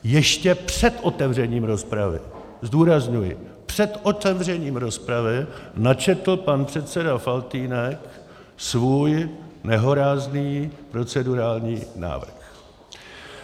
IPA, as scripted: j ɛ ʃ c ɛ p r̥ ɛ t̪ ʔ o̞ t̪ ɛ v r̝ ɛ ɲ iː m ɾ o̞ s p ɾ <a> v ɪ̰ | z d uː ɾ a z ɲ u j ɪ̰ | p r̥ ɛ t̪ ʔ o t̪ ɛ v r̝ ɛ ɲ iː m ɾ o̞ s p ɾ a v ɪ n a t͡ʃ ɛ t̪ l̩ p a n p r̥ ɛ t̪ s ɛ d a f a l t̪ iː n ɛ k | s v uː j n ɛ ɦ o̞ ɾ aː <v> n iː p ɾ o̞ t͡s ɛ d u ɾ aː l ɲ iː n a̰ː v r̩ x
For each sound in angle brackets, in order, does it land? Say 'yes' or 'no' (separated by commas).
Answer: yes, no